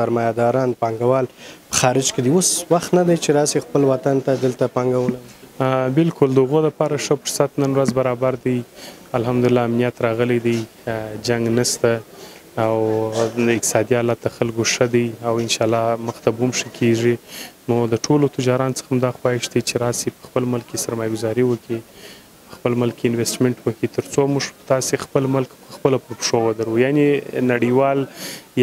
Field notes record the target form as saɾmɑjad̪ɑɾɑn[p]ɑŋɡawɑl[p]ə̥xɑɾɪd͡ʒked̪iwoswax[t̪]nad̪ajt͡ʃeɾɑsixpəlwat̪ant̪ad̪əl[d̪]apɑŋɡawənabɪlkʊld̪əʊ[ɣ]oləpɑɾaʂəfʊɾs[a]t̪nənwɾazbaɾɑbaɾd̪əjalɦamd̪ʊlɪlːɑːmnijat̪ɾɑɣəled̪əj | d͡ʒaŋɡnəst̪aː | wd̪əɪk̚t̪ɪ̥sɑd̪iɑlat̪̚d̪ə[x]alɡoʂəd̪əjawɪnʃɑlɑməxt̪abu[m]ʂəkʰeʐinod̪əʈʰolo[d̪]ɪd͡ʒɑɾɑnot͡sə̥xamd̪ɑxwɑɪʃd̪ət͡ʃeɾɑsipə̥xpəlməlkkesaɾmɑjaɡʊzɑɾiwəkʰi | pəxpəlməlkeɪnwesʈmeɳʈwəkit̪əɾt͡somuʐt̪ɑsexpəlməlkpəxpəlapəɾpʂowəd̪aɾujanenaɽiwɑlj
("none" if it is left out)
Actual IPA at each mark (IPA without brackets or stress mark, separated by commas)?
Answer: p, p, t̪, t̪, ɣ, a, x, m, t̪